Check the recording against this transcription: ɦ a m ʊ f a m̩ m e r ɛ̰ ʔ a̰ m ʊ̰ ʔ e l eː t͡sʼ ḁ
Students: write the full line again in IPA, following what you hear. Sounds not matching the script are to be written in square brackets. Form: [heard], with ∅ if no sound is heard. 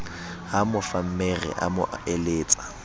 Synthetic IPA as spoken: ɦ a m ʊ f a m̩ m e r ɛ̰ ʔ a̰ m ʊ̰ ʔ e l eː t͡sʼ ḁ